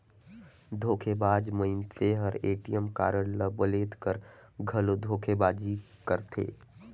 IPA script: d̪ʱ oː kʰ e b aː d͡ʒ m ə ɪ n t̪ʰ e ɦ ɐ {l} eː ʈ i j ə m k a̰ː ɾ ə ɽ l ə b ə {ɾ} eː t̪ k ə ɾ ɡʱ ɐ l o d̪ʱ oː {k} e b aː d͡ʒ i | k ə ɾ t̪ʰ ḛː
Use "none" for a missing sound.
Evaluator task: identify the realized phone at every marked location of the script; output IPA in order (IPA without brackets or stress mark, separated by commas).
ɾ, l, kʰ